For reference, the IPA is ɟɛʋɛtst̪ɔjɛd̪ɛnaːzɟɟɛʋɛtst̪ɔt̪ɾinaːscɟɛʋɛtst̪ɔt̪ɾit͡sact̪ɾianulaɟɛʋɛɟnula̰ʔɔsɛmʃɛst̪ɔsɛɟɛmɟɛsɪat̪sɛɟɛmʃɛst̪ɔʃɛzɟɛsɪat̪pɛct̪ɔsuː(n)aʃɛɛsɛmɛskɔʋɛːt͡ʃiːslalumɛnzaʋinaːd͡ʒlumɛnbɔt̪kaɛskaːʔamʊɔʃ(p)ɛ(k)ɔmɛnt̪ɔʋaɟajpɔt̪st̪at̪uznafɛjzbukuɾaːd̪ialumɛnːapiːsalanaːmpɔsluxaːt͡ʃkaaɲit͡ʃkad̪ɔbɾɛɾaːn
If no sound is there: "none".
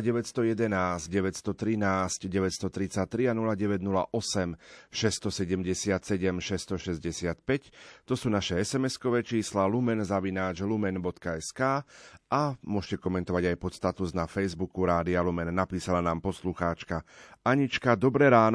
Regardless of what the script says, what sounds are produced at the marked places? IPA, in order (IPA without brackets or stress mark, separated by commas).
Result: n, c, k